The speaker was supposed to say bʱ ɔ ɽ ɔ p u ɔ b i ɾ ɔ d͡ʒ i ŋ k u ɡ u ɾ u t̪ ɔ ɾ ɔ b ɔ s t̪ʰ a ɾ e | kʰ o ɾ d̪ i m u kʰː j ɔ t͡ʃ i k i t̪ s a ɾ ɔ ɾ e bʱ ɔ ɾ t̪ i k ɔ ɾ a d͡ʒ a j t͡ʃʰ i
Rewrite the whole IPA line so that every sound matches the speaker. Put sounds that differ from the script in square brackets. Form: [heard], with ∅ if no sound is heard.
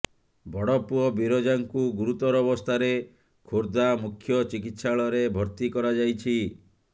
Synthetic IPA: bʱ ɔ ɽ ɔ p u ɔ b i ɾ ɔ d͡ʒ [a] ŋ k u ɡ u ɾ u t̪ ɔ ɾ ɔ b ɔ s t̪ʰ a ɾ e | kʰ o ɾ d̪ [a] m u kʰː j ɔ t͡ʃ i k i t̪ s a [ɭ] ɔ ɾ e bʱ ɔ ɾ t̪ i k ɔ ɾ a d͡ʒ a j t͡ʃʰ i